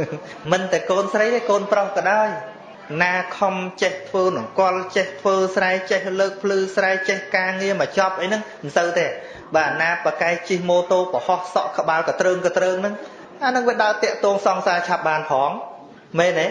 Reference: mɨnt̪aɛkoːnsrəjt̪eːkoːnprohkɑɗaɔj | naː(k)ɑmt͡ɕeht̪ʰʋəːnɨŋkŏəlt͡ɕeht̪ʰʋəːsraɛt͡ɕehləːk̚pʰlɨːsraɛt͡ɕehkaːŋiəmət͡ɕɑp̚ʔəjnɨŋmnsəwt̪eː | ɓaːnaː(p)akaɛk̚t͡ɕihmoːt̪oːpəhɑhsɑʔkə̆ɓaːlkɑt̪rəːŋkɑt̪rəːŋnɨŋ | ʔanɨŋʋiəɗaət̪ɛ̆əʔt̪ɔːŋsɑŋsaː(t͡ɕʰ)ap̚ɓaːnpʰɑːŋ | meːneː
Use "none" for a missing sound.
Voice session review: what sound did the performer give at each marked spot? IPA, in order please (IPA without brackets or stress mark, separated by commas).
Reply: kʰ, p, t͡ɕʰ